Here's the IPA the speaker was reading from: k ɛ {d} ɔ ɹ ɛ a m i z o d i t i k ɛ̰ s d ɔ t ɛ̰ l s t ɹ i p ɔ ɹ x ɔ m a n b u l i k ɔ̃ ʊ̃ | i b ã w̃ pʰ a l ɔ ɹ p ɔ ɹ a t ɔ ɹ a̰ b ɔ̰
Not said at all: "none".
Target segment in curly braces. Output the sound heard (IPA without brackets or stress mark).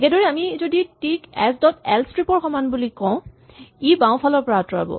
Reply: d